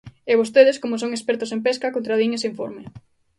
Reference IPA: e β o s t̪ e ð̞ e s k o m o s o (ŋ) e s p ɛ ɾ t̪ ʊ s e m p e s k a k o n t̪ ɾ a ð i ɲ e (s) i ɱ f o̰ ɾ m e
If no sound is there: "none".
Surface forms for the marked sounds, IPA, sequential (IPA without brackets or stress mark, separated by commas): ŋ, s